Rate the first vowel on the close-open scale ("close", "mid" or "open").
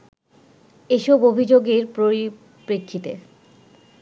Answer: mid